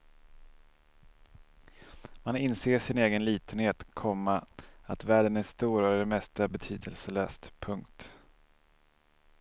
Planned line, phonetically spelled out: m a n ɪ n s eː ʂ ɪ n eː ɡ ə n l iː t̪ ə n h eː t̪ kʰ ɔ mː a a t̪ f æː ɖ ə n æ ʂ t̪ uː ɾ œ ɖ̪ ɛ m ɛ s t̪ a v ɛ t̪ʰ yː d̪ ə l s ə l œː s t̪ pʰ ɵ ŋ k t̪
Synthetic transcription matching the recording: m a n ɪ n s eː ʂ ɪ n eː ɡ ə n l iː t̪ ə n h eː t̪ kʰ ɔ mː a a t̪ v æː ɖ ə n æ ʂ t̪ uː ɾ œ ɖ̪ ɛ m ɛ s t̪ a b ɛ t̪ʰ yː d̪ ə l s ə l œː s t̪ pʰ ɵ ŋ k t̪